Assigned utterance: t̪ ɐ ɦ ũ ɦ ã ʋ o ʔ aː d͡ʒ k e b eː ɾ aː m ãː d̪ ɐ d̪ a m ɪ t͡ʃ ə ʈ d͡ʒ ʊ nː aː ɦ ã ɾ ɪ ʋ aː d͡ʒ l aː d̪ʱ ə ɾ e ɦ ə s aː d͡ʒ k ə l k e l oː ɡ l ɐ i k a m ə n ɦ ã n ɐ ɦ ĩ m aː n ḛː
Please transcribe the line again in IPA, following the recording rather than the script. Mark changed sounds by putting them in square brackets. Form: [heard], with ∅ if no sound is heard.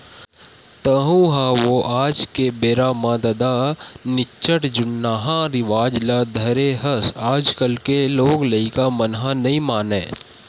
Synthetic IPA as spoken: t̪ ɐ ɦ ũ ɦ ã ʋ o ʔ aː d͡ʒ k e b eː ɾ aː m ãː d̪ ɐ d̪ a [n] ɪ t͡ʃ ə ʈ d͡ʒ ʊ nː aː ɦ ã ɾ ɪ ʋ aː d͡ʒ l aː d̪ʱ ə ɾ e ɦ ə s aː d͡ʒ k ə l k e l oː ɡ l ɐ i k a m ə n ɦ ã n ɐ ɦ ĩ m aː n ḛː